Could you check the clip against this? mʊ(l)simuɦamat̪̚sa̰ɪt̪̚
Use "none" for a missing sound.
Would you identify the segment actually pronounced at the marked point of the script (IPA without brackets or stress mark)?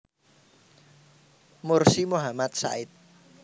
r